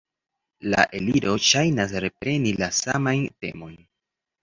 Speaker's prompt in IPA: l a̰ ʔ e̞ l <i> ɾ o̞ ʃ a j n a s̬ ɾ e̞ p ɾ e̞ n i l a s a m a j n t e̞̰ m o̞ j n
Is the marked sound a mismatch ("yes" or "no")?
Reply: no